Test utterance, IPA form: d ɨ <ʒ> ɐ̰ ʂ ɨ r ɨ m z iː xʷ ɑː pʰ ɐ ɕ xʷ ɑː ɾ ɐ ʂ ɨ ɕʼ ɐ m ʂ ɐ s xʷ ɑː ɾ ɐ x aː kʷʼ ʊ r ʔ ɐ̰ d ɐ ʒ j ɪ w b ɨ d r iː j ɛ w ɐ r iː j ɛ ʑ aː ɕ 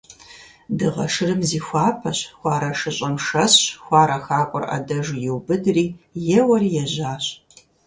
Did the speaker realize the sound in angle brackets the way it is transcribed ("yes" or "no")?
no